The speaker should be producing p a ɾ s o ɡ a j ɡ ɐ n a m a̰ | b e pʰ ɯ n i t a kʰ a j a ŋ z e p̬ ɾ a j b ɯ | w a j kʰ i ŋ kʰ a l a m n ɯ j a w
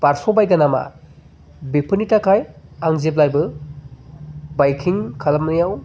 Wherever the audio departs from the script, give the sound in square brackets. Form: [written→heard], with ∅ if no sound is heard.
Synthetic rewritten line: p a ɾ s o [ɡ→b] a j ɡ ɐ n a m a̰ | b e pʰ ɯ n i t a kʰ a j a ŋ z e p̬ [ɾ→l] a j b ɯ | [w→b] a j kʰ i ŋ kʰ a l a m n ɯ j a w